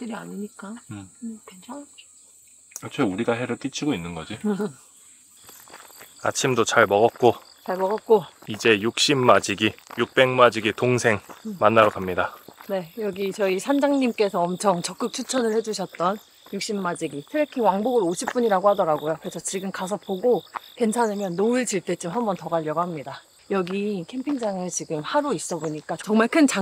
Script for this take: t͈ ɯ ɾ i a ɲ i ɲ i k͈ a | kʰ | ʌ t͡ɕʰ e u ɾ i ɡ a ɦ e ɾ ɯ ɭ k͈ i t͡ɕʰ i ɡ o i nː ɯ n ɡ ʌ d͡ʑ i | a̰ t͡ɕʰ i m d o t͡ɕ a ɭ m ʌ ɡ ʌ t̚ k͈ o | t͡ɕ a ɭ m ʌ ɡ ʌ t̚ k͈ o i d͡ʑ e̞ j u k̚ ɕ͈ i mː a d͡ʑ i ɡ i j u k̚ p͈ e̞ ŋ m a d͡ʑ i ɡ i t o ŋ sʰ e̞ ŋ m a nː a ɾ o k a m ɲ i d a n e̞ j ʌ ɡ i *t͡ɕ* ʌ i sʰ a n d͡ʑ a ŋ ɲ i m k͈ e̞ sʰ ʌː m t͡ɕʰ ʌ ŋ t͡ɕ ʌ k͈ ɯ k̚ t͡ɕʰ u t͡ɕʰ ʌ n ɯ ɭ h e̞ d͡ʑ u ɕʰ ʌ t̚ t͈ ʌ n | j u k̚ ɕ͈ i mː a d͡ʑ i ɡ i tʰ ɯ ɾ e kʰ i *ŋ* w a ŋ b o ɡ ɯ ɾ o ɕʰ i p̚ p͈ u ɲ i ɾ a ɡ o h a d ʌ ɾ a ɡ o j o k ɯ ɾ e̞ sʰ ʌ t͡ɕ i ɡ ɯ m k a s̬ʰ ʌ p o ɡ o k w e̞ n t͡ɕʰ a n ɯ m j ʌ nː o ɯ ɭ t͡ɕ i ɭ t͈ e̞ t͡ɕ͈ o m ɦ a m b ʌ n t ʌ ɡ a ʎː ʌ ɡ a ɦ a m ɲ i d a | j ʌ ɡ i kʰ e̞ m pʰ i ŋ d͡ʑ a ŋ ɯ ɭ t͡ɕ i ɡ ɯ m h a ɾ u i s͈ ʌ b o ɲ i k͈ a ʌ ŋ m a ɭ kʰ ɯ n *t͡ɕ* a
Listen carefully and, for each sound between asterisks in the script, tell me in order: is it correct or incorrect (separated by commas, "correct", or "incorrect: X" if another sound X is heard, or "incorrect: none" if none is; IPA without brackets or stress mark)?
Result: correct, correct, correct